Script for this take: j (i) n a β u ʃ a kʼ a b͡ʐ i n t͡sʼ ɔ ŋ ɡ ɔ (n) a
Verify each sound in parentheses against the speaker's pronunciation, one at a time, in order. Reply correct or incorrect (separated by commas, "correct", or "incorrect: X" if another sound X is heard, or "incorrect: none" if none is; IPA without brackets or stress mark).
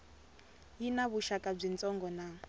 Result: correct, correct